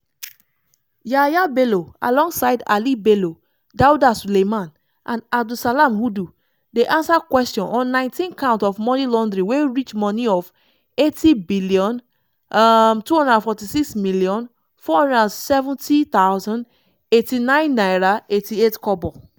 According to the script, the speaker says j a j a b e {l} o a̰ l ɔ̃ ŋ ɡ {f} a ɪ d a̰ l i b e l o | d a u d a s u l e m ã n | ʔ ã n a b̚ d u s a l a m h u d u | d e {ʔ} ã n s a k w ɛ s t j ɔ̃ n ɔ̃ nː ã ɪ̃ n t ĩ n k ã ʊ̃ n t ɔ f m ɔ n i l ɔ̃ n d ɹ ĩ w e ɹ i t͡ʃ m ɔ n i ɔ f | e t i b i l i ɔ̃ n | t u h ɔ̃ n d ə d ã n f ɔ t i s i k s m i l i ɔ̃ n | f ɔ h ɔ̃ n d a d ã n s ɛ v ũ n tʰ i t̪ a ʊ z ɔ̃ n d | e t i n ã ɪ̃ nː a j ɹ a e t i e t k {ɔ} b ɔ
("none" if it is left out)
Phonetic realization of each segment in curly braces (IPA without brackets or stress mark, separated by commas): l, s, ʔ, ɔ